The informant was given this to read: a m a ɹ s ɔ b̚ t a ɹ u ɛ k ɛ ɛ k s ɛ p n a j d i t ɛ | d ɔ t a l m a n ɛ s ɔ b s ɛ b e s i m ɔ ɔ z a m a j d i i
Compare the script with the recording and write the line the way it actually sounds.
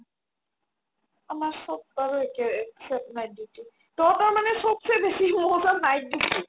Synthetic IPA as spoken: a m a ɹ s ɔ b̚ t a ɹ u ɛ k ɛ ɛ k s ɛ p n a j d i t i | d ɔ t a ɹ m a n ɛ s ɔ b s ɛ b e s i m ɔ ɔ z a n a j d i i